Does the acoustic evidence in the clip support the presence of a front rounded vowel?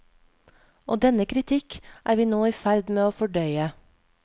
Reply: yes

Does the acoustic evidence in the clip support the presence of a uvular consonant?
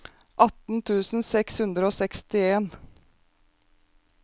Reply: no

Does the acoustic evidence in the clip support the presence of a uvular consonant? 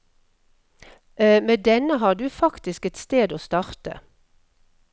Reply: yes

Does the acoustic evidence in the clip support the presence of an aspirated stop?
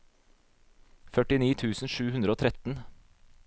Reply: yes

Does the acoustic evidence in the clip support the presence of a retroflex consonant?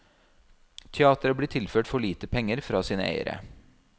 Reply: yes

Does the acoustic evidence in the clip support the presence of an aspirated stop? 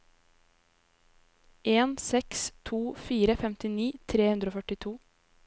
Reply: yes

